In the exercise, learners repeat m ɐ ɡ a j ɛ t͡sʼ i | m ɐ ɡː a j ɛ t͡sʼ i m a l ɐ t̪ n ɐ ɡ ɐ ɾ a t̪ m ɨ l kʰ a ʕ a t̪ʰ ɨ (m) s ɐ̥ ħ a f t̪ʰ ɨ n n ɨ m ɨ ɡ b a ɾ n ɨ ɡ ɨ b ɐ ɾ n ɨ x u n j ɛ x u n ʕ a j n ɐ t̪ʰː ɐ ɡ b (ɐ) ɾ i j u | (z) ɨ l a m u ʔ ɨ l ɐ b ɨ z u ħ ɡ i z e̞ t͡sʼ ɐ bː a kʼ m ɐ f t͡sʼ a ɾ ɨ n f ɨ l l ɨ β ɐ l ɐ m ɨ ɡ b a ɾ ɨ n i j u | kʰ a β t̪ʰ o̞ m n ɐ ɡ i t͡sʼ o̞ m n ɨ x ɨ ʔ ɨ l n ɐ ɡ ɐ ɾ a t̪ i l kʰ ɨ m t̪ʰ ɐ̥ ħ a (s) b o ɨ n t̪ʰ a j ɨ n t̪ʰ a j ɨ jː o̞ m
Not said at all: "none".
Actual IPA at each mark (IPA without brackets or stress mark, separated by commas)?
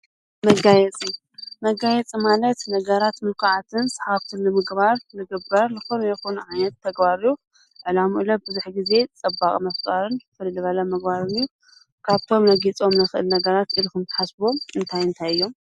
n, a, ʕ, s